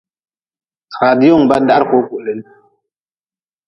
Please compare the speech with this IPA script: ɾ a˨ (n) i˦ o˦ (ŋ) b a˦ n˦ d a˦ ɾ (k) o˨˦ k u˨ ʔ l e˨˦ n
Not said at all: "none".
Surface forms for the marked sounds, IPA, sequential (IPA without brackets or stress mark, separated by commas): d, ŋ, k